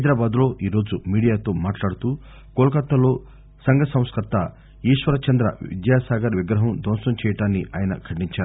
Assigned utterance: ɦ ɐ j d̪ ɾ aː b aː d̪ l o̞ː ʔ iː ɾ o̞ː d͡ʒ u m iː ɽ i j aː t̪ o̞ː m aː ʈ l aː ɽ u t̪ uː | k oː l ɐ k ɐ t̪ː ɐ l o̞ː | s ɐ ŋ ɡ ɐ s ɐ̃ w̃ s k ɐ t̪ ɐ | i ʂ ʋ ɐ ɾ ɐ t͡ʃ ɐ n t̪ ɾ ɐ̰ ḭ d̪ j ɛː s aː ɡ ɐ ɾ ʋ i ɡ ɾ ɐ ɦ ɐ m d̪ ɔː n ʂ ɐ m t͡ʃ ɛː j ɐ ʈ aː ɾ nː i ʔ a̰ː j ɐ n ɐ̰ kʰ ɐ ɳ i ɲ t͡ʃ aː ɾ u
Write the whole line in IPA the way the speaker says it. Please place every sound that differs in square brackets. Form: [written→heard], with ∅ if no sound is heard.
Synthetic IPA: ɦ ɐ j d̪ ɾ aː b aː d̪ l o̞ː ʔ iː ɾ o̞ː d͡ʒ u m iː ɽ i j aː t̪ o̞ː m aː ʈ l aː ɽ u t̪ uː | k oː l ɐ k ɐ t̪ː ɐ l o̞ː | s ɐ ŋ ɡ ɐ s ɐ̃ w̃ s k ɐ t̪ ɐ | [i→iː] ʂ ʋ ɐ ɾ ɐ t͡ʃ ɐ n [t̪→d̪] ɾ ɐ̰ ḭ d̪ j [ɛː→aː] s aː ɡ ɐ ɾ ʋ i ɡ ɾ ɐ ɦ ɐ m d̪ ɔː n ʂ ɐ m t͡ʃ ɛː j ɐ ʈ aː [ɾ→∅] nː i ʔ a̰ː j ɐ n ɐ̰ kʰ ɐ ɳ i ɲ t͡ʃ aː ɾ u